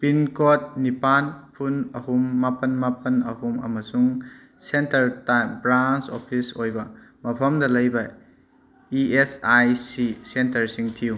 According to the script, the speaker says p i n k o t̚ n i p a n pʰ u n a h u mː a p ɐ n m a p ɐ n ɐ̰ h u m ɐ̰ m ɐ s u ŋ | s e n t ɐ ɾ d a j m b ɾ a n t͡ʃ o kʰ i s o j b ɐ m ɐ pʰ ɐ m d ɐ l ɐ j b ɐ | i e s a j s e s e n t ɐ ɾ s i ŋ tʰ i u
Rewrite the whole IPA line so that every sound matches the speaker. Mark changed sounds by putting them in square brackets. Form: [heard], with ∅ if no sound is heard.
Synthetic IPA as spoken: p i n k o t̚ n i p a n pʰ u n [ɐ] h u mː a p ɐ n m a p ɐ n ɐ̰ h u m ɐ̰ m ɐ s u ŋ | s e n t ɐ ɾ [t] a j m b ɾ a n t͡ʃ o [pʰ] i s o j b ɐ m ɐ pʰ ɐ m d ɐ l ɐ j b ɐ | i e s a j s [i] s e n t ɐ ɾ s i ŋ tʰ i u